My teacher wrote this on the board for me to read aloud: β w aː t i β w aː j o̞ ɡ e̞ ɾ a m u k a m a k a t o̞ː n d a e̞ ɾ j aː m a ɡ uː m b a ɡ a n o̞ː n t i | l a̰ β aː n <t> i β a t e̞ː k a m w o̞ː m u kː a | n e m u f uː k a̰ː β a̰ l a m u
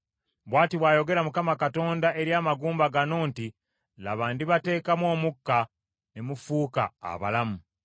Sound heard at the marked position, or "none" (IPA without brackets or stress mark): d